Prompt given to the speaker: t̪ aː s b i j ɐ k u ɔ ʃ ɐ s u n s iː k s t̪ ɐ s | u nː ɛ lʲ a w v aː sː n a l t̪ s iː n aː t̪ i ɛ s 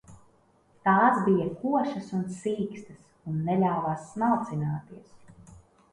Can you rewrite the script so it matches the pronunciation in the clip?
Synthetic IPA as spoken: t̪ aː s b i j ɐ k u ɔ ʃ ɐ s u n s iː k s t̪ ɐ s | u nː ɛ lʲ a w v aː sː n a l t̪ s i n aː t̪ i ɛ s